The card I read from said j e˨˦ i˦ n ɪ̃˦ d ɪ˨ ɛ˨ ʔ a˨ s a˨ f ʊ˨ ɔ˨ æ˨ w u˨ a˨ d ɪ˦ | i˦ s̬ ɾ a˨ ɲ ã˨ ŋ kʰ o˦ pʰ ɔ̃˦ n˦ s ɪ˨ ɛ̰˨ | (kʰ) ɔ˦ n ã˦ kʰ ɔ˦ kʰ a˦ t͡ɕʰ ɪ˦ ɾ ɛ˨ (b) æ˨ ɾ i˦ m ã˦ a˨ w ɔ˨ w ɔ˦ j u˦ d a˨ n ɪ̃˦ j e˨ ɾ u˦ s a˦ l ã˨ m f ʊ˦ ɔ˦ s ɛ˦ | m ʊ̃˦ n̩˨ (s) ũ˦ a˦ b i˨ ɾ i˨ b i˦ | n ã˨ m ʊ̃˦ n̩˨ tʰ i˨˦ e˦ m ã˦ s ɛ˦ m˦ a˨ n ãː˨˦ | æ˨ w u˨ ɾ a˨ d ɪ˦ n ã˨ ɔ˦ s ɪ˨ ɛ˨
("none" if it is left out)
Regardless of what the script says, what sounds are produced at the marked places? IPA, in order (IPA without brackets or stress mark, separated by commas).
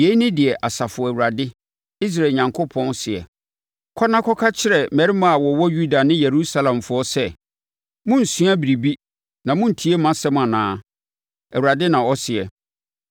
kʰ, m, s